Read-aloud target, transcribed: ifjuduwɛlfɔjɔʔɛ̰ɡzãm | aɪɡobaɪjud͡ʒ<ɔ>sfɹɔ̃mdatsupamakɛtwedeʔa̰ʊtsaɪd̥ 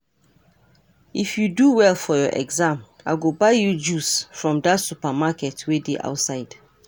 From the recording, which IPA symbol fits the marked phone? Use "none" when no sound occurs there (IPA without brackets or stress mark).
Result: u